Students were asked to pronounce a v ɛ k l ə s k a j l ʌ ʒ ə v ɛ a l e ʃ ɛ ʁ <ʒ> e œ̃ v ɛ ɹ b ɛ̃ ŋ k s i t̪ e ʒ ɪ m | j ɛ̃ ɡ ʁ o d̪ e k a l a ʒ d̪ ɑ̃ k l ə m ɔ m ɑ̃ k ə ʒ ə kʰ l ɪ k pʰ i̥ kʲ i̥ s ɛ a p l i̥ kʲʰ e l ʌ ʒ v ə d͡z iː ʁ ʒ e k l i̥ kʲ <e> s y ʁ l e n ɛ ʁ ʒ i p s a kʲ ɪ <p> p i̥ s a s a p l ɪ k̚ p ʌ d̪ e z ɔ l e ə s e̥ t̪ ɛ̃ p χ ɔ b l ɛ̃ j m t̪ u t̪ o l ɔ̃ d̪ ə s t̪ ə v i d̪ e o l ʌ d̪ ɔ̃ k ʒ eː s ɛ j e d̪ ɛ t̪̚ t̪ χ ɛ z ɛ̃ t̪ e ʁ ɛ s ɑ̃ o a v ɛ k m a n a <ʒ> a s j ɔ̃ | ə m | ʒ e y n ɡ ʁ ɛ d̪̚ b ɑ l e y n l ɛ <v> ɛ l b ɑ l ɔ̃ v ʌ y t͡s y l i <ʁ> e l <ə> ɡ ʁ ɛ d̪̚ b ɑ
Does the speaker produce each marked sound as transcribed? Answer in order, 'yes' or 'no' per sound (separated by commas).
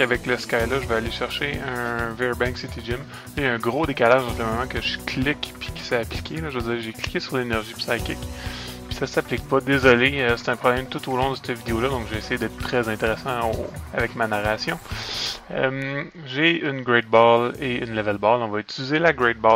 no, yes, no, no, yes, no, no